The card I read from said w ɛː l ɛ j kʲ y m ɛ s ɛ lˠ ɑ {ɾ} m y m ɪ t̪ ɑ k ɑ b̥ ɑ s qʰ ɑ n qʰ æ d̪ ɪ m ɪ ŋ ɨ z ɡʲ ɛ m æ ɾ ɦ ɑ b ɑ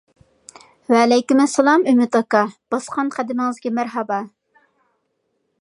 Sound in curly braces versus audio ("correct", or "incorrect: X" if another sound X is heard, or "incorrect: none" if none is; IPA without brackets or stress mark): incorrect: none